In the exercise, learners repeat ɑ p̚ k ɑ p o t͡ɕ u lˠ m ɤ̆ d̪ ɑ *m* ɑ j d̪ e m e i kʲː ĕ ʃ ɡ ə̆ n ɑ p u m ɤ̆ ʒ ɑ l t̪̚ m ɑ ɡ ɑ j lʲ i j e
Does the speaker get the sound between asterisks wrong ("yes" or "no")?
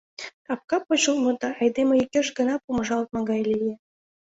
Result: yes